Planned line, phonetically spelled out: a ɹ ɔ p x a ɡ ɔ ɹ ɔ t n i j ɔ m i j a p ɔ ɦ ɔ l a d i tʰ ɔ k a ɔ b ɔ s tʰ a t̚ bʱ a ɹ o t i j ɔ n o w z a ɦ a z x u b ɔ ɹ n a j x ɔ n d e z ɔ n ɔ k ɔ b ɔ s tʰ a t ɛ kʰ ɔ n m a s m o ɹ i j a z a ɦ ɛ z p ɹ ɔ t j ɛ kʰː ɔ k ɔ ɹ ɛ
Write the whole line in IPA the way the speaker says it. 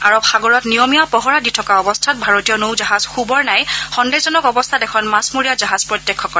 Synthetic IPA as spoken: a ɹ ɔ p x a ɡ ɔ ɹ ɔ t n i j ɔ m i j a p ɔ ɦ ɔ ɹ a d i tʰ ɔ k a ɔ b ɔ s tʰ a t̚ bʱ a ɹ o t i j ɔ n o w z a ɦ a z x u b ɔ ɹ n a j x ɔ n d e z ɔ n ɔ k ɔ b ɔ s tʰ a t ɛ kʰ ɔ n m a s m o ɹ i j a z a ɦ a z p ɹ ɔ t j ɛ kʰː ɔ k ɔ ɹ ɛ